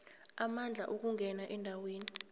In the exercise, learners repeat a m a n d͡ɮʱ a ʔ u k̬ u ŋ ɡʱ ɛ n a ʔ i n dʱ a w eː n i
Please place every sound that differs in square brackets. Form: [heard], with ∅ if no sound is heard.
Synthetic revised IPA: a m a n d͡ɮʱ a ʔ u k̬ u ŋ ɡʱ ɛ n a ʔ [ɛ] n dʱ a w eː n i